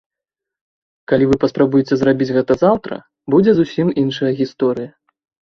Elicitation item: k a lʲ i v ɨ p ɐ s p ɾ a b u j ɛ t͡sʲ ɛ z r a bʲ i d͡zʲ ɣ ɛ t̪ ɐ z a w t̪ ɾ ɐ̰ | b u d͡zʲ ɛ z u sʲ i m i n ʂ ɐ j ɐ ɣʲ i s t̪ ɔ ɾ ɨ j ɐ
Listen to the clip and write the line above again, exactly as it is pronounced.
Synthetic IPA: k a lʲ i v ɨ p ɐ s p ɾ a b u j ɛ t͡sʲ ɛ z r a bʲ i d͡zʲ ɣ ɛ t̪ ɐ z a w t̪ ɾ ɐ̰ | b u d͡zʲ ɛ z u sʲ i m i n ʂ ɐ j ɐ ɣʲ i s t̪ ɔ ɾ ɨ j ɐ